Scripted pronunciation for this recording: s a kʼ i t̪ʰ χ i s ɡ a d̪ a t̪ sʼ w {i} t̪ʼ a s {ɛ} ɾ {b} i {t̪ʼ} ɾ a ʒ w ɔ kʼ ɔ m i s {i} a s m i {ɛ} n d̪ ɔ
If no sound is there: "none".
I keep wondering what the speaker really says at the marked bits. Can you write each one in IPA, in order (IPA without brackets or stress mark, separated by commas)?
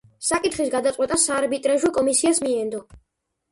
ɛ, a, b, t̪ʼ, i, ɛ